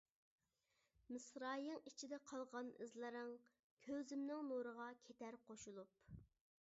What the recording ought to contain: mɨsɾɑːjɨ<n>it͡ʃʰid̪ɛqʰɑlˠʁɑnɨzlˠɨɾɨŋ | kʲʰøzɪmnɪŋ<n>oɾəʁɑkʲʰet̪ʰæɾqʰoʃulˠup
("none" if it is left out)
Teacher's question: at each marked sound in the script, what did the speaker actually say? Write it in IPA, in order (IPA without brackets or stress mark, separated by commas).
ŋ, n